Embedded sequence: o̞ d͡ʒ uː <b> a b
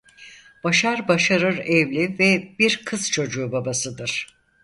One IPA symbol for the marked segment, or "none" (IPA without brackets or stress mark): b